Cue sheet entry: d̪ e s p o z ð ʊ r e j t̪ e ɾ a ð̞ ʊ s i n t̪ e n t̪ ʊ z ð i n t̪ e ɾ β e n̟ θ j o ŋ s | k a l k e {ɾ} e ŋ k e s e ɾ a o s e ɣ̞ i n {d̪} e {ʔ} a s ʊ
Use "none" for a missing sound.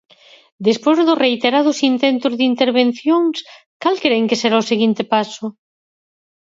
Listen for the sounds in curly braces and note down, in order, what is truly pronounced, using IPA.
ɾ, t̪, p

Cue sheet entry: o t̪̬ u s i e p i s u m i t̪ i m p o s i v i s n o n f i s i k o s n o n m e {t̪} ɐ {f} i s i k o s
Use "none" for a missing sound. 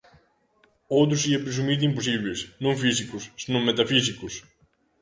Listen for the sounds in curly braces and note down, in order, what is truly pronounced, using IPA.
t̪, f

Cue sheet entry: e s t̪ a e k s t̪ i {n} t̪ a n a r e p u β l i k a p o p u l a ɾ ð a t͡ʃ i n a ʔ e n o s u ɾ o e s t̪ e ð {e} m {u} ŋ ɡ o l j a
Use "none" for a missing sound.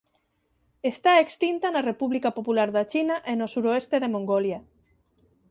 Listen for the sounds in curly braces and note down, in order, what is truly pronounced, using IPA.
n, e, o

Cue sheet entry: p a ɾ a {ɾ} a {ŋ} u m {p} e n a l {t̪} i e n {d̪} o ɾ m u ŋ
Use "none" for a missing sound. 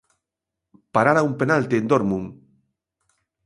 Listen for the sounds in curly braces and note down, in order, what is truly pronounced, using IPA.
ɾ, none, p, t̪, d̪

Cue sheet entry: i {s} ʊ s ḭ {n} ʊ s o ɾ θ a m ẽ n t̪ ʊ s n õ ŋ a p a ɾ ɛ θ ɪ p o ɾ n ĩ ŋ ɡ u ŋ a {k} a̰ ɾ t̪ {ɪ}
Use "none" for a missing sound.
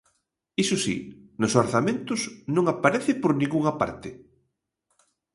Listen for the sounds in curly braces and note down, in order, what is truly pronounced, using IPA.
s, n, p, ɪ

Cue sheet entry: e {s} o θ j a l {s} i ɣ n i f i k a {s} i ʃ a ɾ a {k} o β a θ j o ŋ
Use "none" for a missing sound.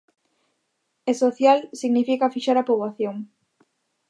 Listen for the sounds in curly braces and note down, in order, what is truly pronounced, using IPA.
s, s, f, p

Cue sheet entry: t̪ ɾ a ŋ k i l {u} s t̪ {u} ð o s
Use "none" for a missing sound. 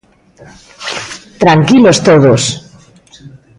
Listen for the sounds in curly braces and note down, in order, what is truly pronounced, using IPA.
o, o

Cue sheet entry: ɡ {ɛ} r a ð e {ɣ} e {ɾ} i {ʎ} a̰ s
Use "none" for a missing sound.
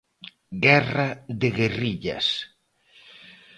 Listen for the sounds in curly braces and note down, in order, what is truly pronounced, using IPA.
ɛ, ɣ, r, ʎ

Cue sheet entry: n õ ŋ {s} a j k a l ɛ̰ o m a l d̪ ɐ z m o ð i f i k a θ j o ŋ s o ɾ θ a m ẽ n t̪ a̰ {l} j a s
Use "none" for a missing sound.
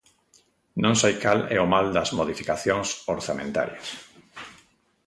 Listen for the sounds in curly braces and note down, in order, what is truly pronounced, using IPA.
s, ɾ

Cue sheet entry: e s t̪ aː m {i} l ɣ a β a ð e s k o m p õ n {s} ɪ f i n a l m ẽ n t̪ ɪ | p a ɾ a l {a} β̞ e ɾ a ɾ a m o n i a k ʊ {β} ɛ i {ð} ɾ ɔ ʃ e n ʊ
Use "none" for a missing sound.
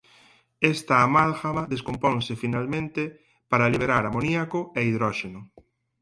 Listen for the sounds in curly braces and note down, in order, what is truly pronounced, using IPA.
a, s, i, none, ð

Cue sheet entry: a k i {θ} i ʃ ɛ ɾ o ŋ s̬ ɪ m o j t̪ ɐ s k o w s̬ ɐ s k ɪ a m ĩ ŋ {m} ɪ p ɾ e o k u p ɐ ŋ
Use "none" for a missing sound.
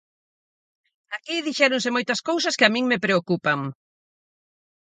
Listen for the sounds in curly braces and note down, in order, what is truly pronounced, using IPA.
ð, m

